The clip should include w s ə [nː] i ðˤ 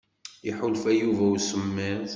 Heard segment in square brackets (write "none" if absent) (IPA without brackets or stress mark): mː